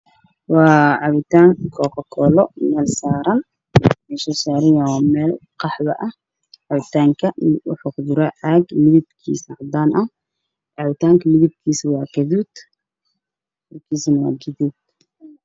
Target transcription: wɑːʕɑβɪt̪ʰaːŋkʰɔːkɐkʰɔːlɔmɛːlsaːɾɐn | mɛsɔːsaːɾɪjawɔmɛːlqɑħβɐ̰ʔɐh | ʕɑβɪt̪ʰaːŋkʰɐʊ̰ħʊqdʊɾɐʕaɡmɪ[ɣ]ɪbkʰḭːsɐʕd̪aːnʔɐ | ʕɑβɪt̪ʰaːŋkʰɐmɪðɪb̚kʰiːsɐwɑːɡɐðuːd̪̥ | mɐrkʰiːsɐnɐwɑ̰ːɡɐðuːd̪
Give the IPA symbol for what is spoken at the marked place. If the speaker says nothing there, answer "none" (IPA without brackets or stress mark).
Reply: ð